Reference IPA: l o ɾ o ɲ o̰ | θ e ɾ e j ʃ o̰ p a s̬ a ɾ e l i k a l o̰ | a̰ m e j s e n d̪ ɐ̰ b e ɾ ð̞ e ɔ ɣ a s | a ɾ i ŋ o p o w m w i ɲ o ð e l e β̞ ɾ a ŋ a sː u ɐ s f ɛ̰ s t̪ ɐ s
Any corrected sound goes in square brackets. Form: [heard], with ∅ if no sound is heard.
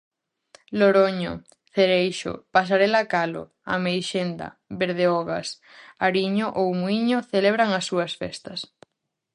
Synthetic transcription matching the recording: l o ɾ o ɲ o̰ | θ e ɾ e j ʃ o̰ p a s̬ a ɾ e l [a] k a l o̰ | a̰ m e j [ʃ] e n d̪ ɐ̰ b e ɾ ð̞ e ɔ ɣ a s | a ɾ i [ɲ] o [ʔ] o w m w i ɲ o [θ] e l e β̞ ɾ a ŋ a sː u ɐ s f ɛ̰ s t̪ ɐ s